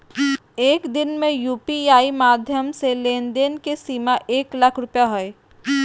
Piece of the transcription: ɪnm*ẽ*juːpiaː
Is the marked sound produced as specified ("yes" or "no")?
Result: yes